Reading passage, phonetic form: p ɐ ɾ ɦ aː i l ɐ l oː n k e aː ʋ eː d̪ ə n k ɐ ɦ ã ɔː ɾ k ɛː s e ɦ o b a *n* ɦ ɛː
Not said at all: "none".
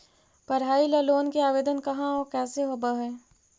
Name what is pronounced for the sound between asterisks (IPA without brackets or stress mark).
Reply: none